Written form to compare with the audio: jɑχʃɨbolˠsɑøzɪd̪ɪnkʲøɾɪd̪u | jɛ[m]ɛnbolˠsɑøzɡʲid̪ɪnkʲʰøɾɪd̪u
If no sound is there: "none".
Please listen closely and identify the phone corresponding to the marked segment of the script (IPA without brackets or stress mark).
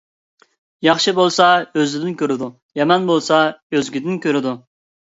m